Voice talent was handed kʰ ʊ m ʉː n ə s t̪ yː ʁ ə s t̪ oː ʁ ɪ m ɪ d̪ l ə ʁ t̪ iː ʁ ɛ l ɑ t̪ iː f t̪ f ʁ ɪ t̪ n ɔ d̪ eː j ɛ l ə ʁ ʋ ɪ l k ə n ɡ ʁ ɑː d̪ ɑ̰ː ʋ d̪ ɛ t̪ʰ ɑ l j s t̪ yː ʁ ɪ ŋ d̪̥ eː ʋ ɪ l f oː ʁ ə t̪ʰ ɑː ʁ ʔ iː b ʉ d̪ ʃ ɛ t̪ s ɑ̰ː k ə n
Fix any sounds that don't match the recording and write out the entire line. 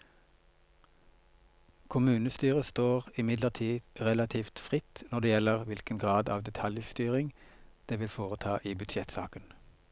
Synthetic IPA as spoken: kʰ ʊ m ʉː n ə s t̪ yː ʁ ə s t̪ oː ʁ ɪ m ɪ d̪ l ə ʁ t̪ʰ iː ʁ ɛ l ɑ t̪ʰ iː f t̪ f ʁ ɪ t̪ n ɔ d̪ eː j ɛ l ə ʁ ʋ ɪ l k ə n ɡ ʁ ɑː d̪ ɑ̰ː ʋ d̪ ɛ t̪ʰ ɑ l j s t̪ yː ʁ ɪ ŋ d̪̥ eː ʋ ɪ l f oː ʁ ə t̪ʰ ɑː ʔ iː b ʉ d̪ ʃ ɛ t̪ s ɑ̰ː k ə n